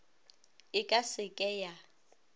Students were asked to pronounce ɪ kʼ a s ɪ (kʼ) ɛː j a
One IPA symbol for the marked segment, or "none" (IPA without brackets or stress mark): kʼ